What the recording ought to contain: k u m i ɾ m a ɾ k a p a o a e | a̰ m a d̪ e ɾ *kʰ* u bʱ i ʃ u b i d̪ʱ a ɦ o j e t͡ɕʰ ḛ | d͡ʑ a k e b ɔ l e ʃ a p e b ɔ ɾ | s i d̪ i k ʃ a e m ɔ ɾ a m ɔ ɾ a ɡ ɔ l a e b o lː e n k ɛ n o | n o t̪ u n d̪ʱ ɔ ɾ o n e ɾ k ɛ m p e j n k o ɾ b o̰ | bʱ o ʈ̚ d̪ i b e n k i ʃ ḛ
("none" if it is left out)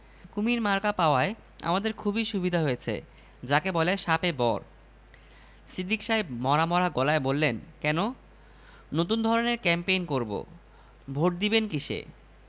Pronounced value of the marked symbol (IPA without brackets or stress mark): kʰ